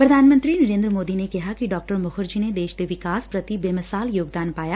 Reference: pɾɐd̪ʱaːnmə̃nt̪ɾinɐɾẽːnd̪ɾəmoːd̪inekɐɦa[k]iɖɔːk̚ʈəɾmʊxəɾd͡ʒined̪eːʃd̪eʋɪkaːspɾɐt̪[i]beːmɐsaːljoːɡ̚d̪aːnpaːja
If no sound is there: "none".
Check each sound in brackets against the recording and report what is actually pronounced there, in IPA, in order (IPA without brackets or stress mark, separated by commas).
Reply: k, i